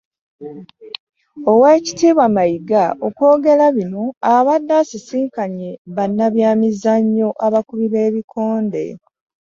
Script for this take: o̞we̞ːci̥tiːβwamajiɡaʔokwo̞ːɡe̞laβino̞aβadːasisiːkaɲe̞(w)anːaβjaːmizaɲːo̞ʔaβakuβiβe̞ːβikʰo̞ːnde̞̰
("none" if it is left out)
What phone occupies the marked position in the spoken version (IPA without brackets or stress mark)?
β